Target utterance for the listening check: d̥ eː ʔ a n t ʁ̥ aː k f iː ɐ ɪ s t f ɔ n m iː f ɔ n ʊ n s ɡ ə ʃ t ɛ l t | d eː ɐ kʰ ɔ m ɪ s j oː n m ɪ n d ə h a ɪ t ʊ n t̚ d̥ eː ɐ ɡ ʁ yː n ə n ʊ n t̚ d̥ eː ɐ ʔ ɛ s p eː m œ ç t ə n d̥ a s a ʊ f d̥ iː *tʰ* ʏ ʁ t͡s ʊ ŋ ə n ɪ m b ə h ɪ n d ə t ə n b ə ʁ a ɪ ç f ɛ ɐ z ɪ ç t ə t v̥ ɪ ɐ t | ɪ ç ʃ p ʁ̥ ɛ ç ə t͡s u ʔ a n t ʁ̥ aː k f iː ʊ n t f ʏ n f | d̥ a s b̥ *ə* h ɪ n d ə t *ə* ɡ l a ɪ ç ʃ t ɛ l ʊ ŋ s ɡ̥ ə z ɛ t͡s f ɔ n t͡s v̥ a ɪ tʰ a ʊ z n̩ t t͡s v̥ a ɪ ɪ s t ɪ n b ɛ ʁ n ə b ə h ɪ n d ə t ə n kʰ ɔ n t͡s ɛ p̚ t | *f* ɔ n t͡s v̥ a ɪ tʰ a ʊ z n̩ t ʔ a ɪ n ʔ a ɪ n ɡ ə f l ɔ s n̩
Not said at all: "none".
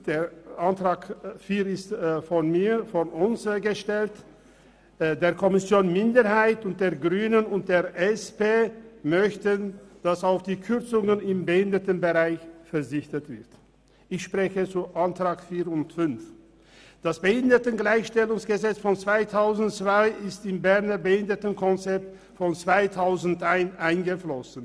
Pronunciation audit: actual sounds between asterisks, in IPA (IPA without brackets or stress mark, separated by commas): kʰ, ə, ə, f